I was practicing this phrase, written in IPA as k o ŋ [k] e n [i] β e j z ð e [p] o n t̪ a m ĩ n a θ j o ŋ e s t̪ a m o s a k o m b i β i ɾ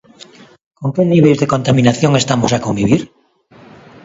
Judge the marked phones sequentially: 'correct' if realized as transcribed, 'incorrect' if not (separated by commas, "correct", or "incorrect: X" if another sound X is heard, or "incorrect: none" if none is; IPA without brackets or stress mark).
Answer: correct, correct, incorrect: k